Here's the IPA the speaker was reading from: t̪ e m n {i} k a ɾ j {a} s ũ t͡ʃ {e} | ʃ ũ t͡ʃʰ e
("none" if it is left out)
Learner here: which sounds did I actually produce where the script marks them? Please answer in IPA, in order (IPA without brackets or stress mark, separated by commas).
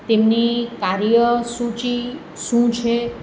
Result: i, ə, i